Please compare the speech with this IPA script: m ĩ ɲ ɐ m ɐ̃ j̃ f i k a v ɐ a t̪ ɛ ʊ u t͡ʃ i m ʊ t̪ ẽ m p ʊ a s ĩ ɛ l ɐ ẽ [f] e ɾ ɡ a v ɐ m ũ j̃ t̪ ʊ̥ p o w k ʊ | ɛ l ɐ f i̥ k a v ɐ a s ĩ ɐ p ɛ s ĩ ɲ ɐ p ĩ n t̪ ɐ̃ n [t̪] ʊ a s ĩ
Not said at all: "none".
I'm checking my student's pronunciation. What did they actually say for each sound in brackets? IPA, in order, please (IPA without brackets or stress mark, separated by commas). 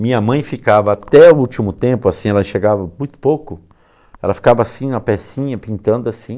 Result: ʃ, d̪